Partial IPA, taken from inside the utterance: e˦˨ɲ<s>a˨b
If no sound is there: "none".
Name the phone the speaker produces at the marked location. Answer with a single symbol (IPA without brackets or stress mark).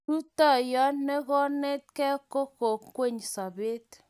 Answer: s